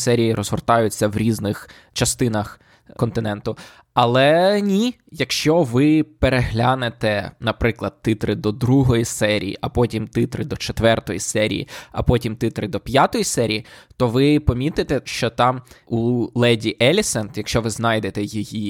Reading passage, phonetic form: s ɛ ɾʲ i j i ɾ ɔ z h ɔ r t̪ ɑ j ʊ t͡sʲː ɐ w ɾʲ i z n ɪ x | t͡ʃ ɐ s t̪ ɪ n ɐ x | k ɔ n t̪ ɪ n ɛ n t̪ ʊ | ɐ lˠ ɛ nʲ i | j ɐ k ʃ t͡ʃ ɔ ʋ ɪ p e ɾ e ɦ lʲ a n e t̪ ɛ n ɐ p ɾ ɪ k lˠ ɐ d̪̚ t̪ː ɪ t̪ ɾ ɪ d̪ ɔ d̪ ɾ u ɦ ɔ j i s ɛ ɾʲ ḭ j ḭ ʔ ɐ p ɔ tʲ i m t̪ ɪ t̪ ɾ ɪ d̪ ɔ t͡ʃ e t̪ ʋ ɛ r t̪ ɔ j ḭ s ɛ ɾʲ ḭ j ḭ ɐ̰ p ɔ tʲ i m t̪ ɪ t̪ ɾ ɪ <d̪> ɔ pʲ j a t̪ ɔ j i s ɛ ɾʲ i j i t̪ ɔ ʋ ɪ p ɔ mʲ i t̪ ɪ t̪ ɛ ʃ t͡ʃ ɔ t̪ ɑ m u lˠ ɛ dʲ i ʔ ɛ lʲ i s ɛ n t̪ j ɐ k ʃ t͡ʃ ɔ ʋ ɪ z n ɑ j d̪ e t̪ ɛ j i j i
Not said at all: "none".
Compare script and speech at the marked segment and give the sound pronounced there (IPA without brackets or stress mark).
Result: d̪